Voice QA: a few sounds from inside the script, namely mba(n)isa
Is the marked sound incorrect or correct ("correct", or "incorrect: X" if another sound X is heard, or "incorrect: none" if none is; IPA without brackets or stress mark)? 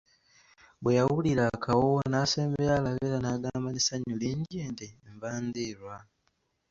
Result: correct